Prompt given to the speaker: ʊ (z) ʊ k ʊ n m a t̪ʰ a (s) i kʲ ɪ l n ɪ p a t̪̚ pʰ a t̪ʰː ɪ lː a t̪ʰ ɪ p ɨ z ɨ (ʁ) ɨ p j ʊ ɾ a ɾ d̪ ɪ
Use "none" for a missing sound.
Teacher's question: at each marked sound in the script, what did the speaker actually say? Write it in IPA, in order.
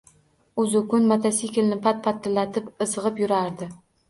z, s, ʁ

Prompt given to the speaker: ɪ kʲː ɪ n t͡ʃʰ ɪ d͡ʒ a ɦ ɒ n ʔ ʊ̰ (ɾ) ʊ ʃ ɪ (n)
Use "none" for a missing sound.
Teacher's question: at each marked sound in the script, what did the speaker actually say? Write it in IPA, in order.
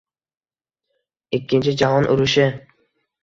ɾ, none

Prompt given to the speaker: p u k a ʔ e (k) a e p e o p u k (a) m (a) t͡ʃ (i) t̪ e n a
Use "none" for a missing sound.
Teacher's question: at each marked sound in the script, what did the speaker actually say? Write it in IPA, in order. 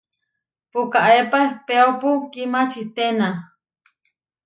p, i, a, i

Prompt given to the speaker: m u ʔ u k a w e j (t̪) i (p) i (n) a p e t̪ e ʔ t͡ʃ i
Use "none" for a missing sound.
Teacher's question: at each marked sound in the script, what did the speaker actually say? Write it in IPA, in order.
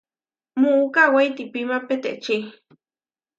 t̪, p, m

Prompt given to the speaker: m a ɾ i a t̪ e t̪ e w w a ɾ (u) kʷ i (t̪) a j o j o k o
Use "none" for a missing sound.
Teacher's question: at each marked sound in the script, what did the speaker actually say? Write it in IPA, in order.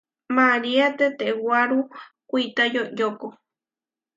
u, t̪

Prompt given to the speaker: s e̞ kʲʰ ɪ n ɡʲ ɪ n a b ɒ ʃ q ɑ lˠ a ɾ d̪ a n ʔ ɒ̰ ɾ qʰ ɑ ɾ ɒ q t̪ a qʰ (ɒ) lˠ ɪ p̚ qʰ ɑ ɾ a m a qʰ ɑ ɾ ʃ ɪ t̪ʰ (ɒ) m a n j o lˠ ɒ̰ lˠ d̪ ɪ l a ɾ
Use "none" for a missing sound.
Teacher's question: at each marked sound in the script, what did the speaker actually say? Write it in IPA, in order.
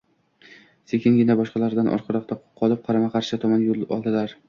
ɒ, ɒ

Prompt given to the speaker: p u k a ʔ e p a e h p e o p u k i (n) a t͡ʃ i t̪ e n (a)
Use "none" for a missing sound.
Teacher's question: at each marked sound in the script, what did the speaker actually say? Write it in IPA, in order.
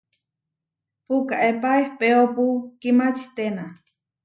m, a

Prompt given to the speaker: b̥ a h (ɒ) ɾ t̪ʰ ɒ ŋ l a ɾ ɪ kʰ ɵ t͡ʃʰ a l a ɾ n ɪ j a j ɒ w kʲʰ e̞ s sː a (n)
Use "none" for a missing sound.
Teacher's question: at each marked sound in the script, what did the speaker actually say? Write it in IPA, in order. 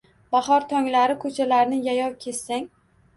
ɒ, ŋ

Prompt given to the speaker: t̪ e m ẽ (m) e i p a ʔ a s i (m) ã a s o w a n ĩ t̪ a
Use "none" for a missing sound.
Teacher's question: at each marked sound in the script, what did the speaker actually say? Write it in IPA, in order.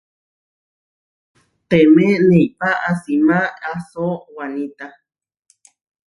n, m

